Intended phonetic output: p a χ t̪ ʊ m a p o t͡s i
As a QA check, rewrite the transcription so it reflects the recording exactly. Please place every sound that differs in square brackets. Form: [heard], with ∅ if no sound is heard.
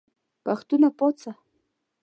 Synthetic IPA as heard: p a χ t̪ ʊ [n] a p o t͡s [a]